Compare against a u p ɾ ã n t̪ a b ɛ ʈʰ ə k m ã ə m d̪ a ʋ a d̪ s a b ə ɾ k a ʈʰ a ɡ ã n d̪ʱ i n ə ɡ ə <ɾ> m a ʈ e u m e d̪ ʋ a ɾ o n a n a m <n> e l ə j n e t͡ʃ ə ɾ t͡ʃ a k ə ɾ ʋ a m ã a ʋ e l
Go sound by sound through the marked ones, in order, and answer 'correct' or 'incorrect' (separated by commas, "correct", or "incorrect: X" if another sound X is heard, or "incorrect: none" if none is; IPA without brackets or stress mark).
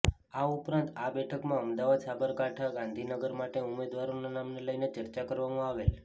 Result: correct, correct